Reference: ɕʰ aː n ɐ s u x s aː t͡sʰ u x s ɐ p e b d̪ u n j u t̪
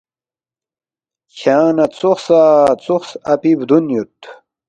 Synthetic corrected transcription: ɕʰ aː n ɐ t͡s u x s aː t͡s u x s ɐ p i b d̪ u n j u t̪